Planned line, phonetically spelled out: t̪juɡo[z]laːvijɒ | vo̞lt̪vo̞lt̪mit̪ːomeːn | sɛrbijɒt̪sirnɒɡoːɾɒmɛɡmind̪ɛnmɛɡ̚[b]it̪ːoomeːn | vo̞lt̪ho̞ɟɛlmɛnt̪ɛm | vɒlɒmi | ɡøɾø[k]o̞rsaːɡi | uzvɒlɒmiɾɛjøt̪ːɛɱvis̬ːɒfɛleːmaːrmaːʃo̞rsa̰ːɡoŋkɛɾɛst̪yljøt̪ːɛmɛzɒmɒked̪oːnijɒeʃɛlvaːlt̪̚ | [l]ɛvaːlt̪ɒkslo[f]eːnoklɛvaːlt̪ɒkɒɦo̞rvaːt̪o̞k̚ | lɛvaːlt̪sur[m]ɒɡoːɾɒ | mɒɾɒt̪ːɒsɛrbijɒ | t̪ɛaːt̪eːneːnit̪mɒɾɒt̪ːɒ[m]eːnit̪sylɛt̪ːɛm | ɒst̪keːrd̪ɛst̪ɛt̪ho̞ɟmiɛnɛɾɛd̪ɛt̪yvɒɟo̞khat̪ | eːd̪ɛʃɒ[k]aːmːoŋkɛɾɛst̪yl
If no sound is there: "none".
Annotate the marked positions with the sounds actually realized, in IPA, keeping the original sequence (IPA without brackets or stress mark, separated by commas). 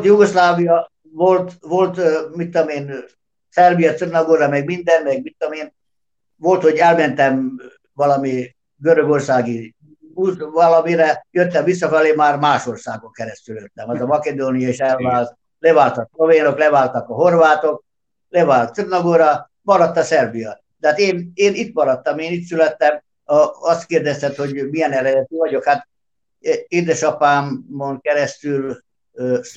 s, m, ɡ, l, v, n, m, p